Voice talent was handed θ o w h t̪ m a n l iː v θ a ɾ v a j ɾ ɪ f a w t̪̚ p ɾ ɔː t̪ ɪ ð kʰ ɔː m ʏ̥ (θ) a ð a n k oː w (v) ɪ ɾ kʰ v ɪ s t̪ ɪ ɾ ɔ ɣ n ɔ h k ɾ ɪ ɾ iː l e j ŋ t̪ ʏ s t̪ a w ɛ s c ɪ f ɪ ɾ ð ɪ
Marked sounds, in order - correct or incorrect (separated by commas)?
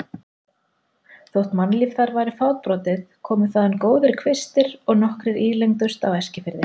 correct, incorrect